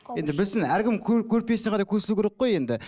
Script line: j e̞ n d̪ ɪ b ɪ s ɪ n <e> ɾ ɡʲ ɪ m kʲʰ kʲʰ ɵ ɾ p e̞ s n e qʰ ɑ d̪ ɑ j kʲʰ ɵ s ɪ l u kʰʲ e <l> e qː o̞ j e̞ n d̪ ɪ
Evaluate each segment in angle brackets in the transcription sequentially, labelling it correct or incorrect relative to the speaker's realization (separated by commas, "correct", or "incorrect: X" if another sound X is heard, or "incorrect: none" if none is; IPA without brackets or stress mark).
incorrect: æ, incorrect: ɾ